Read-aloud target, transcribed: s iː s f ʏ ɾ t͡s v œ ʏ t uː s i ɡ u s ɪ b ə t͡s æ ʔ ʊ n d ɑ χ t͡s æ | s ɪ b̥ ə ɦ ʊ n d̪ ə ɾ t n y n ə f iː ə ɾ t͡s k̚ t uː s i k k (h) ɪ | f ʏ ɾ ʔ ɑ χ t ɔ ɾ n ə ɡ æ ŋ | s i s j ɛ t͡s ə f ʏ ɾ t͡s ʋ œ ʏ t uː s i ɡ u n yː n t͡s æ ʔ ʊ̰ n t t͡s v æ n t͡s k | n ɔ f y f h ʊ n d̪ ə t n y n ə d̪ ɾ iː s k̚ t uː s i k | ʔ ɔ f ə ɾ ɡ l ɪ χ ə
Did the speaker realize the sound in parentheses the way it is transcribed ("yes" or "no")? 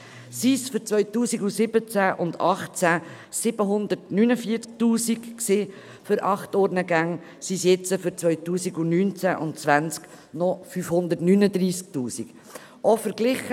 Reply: no